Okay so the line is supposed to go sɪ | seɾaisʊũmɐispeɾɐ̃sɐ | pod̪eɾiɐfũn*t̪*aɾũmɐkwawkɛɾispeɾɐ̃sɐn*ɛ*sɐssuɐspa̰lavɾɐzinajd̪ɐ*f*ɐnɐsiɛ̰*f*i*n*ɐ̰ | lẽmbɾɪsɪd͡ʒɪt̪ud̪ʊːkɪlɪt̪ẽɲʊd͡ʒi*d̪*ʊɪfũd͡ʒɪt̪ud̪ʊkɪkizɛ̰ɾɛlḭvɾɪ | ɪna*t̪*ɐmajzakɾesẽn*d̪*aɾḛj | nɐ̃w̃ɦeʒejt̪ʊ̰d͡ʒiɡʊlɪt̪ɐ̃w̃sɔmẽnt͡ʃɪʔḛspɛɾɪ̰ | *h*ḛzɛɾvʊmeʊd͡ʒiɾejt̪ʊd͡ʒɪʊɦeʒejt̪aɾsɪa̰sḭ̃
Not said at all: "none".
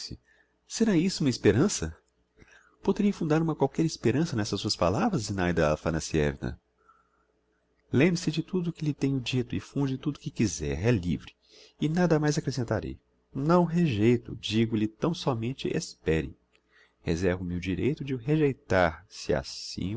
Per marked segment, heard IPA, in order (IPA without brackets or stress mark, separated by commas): d̪, ɛ, f, v, n, t̪, d̪, t̪, h